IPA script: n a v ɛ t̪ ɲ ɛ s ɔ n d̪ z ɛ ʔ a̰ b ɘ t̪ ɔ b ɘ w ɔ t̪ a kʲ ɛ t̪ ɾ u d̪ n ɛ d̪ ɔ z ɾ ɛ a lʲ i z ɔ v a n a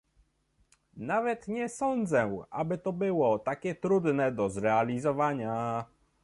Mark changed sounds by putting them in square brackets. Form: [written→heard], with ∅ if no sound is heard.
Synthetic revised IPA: n a v ɛ t̪ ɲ ɛ s ɔ n d̪ z ɛ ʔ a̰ b ɘ t̪ ɔ b ɘ w ɔ t̪ a kʲ ɛ t̪ ɾ u d̪ n ɛ d̪ ɔ z ɾ ɛ a lʲ i z ɔ v a [n→ɲ] a